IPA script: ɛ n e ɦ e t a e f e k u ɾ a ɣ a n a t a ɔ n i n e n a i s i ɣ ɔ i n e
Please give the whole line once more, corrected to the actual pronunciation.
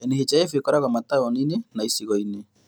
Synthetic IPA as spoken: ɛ n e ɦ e t͡ʃ a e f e k ɔ ɾ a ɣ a m a t a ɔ n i n e n a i s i ɣ ɔ i n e